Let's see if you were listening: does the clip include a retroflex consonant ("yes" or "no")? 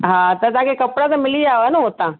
yes